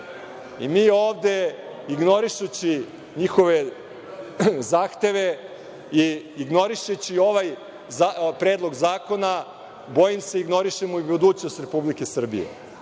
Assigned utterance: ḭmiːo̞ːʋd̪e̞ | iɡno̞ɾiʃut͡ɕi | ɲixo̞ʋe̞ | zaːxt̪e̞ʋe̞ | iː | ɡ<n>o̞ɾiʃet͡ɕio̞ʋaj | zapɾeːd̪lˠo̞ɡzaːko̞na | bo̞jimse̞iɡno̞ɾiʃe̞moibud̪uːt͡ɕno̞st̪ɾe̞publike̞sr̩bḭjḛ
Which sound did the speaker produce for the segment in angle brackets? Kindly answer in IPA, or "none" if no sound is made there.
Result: n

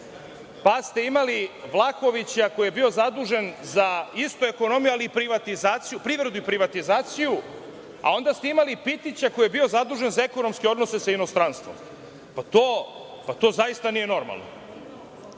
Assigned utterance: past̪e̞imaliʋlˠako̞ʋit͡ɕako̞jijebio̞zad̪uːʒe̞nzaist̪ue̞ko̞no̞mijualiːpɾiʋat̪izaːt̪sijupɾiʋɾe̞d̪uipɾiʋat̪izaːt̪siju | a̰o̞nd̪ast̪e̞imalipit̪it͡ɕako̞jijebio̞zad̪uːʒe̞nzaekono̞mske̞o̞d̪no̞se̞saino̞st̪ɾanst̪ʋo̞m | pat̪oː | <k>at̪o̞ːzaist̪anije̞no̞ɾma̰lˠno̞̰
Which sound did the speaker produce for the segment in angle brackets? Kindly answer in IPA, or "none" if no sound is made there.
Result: p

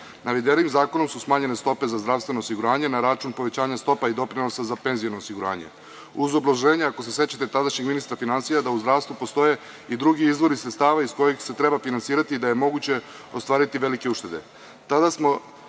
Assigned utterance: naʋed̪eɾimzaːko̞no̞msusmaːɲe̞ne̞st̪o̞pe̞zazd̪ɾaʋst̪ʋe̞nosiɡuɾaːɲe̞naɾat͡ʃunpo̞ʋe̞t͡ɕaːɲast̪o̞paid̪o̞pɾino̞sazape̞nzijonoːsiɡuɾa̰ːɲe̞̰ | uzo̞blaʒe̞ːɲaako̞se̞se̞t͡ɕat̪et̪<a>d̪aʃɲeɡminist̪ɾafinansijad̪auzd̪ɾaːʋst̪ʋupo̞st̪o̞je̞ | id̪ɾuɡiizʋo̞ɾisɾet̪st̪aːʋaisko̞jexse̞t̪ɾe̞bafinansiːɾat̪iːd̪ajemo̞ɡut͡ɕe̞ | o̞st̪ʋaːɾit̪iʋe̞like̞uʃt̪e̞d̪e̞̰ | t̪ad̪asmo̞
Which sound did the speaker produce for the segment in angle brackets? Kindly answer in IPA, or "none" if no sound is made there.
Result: a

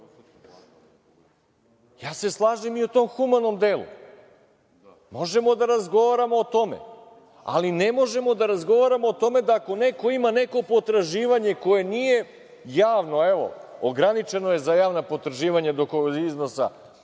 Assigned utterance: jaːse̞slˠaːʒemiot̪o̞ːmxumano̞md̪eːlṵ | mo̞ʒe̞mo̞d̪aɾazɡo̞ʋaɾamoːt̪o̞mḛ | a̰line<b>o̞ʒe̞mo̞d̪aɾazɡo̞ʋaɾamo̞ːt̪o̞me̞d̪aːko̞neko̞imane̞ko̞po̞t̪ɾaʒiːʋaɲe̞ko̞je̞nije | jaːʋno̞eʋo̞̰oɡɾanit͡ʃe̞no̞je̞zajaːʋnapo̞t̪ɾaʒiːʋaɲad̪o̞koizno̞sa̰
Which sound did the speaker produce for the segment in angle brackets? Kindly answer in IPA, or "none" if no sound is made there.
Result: m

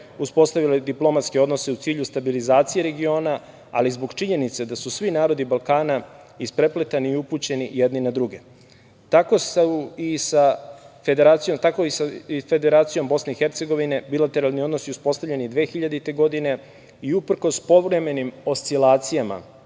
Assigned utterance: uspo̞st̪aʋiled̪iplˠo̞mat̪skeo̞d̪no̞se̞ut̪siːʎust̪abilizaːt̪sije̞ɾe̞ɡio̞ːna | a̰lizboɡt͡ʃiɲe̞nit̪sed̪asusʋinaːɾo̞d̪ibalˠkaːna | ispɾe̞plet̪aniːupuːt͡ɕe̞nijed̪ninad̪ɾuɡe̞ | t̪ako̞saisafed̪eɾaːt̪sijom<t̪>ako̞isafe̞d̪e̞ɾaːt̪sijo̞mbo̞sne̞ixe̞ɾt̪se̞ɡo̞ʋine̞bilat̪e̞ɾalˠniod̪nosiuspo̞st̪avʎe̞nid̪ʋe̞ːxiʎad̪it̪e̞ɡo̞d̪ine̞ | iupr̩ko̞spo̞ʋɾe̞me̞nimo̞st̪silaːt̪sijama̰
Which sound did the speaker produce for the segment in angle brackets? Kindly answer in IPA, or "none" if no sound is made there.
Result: t̪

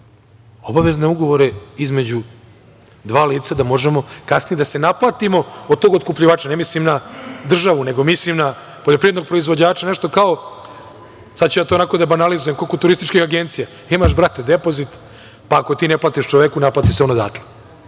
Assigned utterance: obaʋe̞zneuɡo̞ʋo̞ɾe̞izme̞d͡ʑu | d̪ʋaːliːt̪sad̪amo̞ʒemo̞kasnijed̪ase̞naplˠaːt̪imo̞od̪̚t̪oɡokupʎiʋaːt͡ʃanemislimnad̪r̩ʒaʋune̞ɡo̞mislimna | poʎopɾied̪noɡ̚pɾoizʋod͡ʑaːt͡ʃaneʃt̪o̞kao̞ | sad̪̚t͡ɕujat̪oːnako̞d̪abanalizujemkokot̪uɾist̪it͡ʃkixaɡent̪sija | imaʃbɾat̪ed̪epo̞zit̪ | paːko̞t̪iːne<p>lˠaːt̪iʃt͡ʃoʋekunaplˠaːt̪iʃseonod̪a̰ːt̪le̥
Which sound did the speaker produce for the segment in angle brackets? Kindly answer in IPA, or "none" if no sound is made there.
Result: p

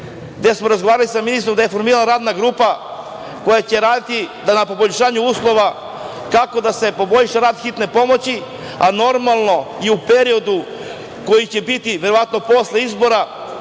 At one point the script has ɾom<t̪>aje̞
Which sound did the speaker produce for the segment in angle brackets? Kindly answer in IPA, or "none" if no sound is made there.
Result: d̪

